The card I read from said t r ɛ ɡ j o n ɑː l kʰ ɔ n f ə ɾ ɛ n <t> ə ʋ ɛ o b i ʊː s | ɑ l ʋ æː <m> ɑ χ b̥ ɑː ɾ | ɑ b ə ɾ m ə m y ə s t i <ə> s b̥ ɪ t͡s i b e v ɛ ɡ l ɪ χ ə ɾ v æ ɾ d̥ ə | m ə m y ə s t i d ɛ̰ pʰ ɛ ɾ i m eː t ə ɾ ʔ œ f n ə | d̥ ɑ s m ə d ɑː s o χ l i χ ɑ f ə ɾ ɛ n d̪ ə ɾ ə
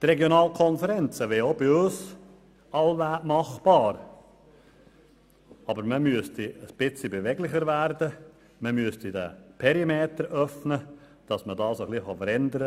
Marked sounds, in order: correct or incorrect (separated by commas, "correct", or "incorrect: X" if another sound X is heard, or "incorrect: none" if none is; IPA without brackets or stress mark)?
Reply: incorrect: t͡s, correct, correct